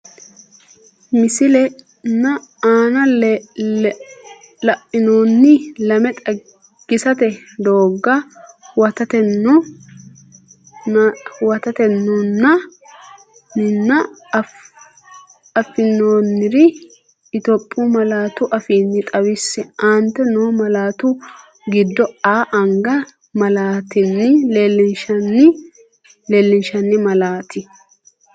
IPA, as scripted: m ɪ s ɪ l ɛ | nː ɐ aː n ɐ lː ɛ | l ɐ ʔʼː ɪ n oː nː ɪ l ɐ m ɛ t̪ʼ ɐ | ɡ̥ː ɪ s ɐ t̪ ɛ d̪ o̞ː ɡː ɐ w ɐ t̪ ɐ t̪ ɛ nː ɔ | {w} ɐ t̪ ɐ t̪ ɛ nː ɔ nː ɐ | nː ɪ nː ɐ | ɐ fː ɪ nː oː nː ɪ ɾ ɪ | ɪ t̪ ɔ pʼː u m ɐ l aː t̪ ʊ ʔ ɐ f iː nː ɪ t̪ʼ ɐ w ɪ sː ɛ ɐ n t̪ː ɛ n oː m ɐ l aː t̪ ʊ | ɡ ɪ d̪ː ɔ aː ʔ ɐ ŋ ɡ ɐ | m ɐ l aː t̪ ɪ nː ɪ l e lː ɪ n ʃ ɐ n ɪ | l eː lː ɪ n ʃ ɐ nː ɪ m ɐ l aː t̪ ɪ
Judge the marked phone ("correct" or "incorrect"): correct